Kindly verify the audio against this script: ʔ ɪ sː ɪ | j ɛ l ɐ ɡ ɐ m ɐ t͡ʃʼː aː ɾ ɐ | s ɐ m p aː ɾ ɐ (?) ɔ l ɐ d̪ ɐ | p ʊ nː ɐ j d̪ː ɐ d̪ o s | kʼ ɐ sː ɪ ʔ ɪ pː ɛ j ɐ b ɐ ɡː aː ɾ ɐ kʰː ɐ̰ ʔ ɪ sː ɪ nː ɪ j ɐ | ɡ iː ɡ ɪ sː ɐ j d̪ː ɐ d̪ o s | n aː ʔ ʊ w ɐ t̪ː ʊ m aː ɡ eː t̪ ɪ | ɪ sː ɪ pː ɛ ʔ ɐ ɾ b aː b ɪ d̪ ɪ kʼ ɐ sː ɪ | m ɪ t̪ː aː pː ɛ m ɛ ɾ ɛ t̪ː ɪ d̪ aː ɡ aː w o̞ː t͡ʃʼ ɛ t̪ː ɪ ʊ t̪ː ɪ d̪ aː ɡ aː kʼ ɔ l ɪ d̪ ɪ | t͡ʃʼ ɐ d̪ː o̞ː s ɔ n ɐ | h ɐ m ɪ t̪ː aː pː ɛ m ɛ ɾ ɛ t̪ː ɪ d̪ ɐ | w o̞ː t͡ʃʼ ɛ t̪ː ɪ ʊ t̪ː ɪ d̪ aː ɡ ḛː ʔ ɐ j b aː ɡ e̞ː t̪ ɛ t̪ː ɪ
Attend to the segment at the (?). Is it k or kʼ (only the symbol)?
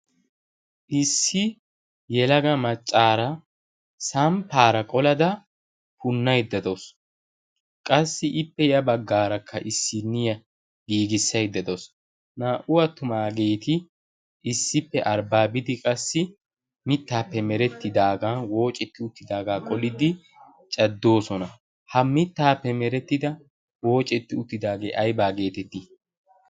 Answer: kʼ